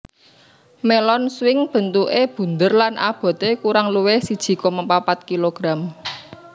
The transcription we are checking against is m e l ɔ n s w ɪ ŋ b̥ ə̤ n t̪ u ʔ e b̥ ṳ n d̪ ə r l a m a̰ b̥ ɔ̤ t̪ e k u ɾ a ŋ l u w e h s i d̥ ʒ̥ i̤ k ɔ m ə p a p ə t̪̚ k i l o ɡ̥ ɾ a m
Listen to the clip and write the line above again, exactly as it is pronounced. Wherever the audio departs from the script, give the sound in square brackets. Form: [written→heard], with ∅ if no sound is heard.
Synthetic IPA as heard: m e l ɔ n s w ɪ ŋ b̥ ə̤ n t̪ u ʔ e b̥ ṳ n d̪ ə r l a [m→n] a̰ b̥ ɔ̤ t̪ e k u ɾ a ŋ l u w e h s i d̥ ʒ̥ i̤ k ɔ m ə p a p [ə→a] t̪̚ k i l o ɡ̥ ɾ a m